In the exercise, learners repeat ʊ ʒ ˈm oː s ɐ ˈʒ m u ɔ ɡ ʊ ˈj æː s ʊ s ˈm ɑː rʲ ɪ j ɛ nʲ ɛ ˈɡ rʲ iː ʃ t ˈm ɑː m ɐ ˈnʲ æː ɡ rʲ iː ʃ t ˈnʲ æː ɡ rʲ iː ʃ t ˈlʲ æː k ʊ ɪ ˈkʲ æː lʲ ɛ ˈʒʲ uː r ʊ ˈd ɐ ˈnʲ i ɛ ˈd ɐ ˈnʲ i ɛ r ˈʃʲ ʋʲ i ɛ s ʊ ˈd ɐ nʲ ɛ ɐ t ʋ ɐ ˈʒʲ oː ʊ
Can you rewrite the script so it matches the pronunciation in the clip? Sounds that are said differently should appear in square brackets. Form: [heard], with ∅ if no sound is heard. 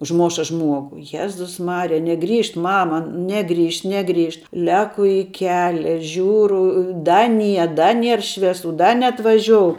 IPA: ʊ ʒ ˈm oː [ʃ] ɐ ˈʒ m u ɔ ɡ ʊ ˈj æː [z] ʊ s ˈm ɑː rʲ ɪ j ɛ nʲ ɛ ˈɡ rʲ iː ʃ t ˈm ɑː m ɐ ˈnʲ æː ɡ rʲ iː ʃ t ˈnʲ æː ɡ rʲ iː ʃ t ˈlʲ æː k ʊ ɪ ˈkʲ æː lʲ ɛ ˈʒʲ uː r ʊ ˈd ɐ ˈnʲ i ɛ ˈd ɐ ˈnʲ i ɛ r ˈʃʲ ʋʲ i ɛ s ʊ ˈd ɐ nʲ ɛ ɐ t ʋ ɐ ˈʒʲ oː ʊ